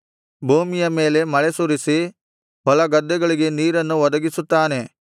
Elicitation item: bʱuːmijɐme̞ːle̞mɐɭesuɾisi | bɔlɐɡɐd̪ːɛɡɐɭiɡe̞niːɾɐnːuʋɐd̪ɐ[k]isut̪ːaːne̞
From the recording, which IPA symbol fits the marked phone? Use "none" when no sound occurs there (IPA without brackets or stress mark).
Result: ɡ